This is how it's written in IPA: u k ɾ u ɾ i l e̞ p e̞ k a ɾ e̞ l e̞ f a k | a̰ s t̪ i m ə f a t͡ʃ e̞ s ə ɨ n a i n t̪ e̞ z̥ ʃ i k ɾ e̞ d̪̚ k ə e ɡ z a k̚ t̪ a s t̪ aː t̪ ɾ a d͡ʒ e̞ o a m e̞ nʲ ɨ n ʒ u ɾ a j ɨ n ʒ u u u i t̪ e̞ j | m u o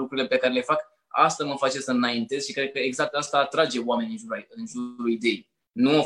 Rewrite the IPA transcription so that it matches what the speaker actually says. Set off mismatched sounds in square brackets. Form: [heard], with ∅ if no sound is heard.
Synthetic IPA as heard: u k ɾ u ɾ i l e̞ p e̞ k a ɾ e̞ l e̞ f a k | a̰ s t̪ [a] m ə f a t͡ʃ e̞ s ə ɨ n a i n t̪ e̞ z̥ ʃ i k ɾ e̞ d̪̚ k ə e ɡ z a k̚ t̪ a s t̪ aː t̪ ɾ a d͡ʒ e̞ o a m e̞ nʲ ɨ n ʒ u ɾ a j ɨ n ʒ u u u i [d̪] e̞ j | [n] u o